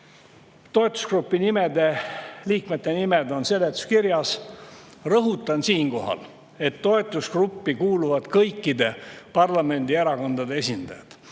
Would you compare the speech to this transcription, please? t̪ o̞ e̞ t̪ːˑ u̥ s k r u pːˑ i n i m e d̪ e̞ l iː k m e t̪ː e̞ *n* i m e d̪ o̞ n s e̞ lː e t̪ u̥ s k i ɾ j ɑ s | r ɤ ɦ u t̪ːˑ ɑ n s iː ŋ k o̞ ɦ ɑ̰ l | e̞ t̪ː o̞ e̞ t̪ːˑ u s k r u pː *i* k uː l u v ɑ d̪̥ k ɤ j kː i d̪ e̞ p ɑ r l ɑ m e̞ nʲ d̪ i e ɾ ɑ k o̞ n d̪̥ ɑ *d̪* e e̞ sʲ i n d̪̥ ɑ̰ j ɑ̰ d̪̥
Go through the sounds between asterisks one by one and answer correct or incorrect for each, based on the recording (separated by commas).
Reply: correct, correct, correct